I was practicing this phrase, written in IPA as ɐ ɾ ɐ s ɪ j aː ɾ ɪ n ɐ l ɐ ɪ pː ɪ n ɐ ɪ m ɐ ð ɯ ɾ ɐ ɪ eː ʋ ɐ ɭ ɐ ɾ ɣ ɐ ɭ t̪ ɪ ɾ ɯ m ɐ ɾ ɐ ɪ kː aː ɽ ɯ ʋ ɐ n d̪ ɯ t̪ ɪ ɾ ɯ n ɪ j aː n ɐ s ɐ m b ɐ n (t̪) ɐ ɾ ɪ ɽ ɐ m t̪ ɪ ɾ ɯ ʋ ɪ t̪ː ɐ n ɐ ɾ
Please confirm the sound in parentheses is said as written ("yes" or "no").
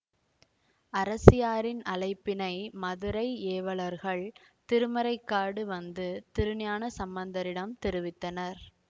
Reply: no